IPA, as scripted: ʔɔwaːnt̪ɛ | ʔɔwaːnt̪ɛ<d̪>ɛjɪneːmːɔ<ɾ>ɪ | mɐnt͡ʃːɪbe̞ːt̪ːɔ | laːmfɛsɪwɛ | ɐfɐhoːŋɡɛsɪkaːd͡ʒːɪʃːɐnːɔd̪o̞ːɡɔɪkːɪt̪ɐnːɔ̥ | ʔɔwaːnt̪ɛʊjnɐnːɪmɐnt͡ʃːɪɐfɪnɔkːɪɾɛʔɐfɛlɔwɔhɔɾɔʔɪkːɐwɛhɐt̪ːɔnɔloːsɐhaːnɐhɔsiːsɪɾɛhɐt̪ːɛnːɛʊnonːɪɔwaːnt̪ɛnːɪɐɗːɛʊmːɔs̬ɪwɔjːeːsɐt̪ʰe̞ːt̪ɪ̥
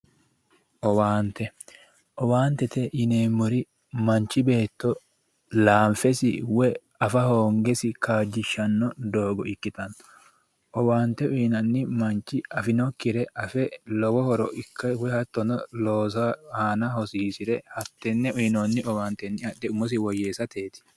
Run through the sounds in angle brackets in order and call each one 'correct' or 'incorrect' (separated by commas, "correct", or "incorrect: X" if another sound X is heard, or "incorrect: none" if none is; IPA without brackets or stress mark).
incorrect: t̪, correct